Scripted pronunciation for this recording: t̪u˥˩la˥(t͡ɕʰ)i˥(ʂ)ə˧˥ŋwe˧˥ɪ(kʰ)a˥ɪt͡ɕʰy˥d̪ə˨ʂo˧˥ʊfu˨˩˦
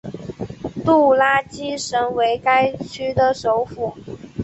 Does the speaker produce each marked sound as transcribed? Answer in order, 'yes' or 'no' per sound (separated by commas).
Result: no, yes, no